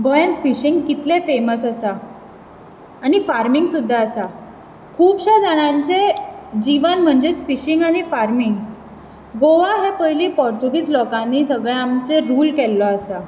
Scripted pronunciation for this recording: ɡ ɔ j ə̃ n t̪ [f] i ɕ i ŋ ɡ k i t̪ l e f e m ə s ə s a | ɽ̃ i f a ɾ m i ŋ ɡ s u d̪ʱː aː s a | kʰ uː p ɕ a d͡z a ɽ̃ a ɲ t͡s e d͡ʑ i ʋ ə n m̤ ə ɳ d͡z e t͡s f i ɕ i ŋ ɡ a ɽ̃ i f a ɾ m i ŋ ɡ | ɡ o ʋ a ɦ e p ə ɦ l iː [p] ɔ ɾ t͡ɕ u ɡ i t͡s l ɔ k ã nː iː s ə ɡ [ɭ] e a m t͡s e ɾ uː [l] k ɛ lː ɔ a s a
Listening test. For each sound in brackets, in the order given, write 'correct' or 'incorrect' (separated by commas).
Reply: correct, correct, correct, correct